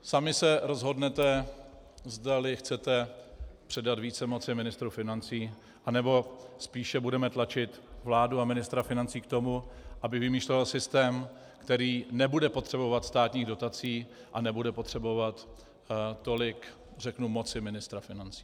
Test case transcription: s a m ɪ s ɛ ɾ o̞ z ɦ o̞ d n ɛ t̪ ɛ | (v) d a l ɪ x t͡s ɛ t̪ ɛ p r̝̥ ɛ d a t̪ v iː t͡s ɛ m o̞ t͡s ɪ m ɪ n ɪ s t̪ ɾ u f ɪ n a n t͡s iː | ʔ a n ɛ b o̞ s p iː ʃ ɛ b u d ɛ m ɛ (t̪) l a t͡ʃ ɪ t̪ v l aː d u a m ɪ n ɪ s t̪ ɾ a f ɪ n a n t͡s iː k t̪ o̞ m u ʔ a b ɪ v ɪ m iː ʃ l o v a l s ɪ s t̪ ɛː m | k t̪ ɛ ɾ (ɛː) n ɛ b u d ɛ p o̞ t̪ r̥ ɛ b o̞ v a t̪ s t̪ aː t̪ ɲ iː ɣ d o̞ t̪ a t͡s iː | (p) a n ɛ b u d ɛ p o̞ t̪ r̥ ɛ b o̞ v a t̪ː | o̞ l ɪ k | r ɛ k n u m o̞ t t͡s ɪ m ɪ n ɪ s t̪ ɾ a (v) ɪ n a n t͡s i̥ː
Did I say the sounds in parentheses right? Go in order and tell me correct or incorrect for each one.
incorrect: z, correct, incorrect: iː, incorrect: ʔ, incorrect: f

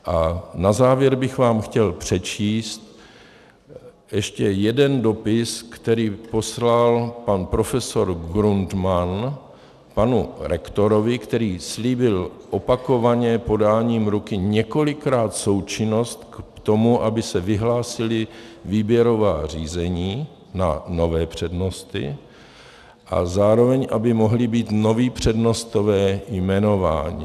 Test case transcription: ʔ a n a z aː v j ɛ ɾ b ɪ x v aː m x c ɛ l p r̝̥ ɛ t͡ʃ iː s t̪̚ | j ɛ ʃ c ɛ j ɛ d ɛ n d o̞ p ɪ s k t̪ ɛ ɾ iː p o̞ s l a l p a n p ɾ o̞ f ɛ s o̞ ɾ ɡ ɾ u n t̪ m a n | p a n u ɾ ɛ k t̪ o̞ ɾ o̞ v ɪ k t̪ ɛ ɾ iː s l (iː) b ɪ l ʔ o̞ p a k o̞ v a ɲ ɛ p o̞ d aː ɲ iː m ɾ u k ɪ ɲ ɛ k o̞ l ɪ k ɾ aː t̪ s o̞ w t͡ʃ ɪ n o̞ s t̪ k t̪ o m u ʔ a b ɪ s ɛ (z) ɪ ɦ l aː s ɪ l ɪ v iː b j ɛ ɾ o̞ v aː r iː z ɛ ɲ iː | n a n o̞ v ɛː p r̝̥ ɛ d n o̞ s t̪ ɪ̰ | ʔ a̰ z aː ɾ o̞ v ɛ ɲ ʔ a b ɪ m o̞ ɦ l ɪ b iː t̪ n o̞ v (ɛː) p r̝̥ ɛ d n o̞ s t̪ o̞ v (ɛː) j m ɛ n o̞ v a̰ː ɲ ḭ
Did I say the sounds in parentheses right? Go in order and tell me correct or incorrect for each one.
correct, incorrect: v, incorrect: iː, correct

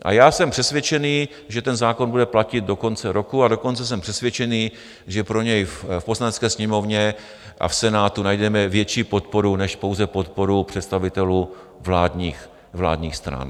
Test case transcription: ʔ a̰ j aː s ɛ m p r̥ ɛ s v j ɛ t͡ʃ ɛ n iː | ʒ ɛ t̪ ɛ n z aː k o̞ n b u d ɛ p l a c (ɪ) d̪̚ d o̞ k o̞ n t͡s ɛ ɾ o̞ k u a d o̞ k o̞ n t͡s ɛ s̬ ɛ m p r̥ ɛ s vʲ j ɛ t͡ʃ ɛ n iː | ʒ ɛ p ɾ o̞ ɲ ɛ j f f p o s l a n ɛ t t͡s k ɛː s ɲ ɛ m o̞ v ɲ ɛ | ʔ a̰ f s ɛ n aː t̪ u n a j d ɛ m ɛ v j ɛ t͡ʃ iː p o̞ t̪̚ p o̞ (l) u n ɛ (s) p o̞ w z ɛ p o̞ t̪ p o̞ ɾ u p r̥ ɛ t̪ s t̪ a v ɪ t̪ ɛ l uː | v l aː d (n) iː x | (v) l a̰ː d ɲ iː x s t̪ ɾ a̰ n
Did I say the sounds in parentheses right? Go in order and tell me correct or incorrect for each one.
correct, incorrect: ɾ, incorrect: ʃ, incorrect: ɲ, correct

